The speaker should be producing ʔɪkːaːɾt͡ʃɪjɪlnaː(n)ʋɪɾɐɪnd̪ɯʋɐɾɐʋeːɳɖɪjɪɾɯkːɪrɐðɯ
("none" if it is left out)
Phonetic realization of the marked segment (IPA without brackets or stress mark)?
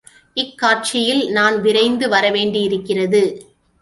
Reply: n